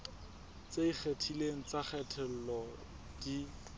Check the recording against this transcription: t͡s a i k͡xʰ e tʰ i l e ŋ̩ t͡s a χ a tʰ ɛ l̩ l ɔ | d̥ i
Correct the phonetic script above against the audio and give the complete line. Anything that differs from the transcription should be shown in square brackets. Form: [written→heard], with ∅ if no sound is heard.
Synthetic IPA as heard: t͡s [a→e] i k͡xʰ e tʰ i l e ŋ̩ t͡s a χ [a→ɛ] tʰ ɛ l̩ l ɔ | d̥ i